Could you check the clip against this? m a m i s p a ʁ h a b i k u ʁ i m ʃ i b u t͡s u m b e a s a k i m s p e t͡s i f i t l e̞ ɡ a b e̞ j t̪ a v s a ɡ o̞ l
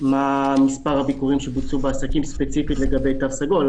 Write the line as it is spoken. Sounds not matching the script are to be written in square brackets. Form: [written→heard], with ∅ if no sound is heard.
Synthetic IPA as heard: m a m i s p a ʁ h a b i k u ʁ i m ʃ [i→e] b u t͡s u [m→∅] b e a s a k i m s p e t͡s i f i t l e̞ ɡ a b e̞ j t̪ a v s a ɡ o̞ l

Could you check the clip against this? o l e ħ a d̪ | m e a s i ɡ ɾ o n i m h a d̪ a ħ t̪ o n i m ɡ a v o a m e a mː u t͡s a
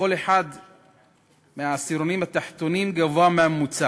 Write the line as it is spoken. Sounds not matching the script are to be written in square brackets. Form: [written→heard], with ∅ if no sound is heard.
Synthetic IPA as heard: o l e ħ a d̪ | m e a s i [ɡ→∅] ɾ o n i m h a [d̪→t̪] a ħ t̪ o n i m ɡ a v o a m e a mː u t͡s a

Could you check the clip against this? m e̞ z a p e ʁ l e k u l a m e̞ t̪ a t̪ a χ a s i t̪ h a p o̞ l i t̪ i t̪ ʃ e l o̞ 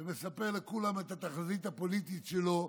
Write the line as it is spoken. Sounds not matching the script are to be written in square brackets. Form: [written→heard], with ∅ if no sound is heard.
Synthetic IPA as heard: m e̞ [z→s] a p e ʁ l e k u l a m e̞ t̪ a t̪ a χ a [s→z] i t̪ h a p o̞ l i t̪ i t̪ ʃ e l o̞

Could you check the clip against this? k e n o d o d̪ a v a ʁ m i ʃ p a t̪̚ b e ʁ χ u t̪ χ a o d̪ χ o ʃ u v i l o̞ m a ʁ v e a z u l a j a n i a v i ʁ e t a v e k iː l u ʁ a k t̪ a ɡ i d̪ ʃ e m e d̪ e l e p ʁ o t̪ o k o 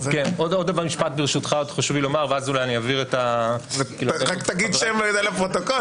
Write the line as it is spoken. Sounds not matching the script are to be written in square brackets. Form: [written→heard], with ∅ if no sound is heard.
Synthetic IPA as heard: k e n o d o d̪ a v a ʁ m i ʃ p a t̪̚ b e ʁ [χ→ʃ] u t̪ χ a o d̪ χ o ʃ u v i l o̞ m a ʁ v e a z u l a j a n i a v i ʁ e t a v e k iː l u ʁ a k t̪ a ɡ i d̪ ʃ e m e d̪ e l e p ʁ o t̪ o k o

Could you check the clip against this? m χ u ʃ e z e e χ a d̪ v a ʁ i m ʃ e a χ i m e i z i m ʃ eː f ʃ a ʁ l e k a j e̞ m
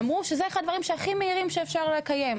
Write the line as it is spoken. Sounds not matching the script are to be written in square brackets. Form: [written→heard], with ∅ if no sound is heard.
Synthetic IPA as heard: m [χ→ʁ] u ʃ e z e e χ a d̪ v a ʁ i m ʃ e a χ i m e i [z→ʁ] i m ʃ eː f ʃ a ʁ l e k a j e̞ m

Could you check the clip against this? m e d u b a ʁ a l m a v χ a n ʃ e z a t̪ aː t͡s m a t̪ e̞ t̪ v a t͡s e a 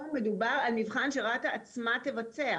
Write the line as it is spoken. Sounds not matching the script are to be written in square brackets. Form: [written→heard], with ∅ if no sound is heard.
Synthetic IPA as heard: m e d u b a ʁ a l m [a→i] v χ a n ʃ e [z→ʁ] a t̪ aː t͡s m a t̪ e̞ [t̪→∅] v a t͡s e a

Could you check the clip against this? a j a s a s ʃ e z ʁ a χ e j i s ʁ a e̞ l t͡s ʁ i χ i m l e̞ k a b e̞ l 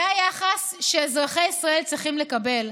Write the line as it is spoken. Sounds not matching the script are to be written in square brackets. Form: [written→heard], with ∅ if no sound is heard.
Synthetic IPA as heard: a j a [s→χ] a s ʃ e z ʁ a χ e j i s ʁ a e̞ l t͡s ʁ i χ i m l e̞ k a b e̞ l

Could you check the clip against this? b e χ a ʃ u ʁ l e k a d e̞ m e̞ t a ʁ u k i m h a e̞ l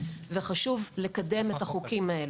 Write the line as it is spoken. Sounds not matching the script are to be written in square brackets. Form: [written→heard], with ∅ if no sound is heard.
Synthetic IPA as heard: [b→v] e χ a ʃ u [ʁ→v] l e k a d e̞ m e̞ t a [ʁ→χ] u k i m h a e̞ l

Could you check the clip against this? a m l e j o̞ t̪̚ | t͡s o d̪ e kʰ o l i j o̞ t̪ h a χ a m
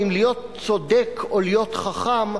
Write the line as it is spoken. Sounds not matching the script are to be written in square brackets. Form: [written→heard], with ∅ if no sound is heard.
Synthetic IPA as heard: [a→i] m l [e→i] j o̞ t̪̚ | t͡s o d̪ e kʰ o l i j o̞ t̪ [h→χ] a χ a m

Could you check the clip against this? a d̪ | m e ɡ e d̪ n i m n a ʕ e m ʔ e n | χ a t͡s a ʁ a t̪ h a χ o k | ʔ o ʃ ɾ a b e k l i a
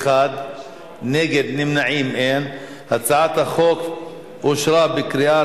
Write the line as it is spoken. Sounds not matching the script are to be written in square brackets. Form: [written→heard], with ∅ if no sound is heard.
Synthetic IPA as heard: a d̪ | [m→n] e ɡ e d̪ n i m n a ʕ [e→i] m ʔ e n | [χ→h] a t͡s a [ʁ→ʕ] a t̪ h a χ o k | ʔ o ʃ ɾ a b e k [l→ɾ] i a

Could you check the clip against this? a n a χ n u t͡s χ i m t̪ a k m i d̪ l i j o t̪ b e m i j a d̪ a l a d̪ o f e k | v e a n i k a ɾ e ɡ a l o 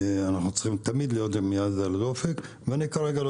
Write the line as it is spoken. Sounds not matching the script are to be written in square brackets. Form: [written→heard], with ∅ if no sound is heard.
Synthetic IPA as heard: a n a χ n u t͡s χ i m t̪ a [k→∅] m i d̪ l i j o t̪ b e m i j a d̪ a l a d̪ o f e k | v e a n i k a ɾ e ɡ a l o

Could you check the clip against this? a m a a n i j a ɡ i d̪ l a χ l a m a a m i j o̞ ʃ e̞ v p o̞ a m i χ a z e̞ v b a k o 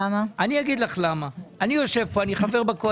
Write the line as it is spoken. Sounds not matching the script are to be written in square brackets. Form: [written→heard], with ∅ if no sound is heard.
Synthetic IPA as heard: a m a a n i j a ɡ i d̪ l a χ l a m a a [m→n] i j o̞ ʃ e̞ v p o̞ a [m→n] i χ a [z→v] e̞ [v→ʁ] b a k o

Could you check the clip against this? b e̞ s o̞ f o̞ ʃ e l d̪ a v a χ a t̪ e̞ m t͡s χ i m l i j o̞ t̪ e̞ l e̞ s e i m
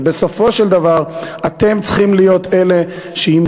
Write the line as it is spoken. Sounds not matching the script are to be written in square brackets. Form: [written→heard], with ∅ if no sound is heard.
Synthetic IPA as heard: b e̞ s o̞ f o̞ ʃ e l d̪ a v a [χ→ʁ] a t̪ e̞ m t͡s χ i m l i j o̞ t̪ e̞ l e̞ [s→ʃ] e i m

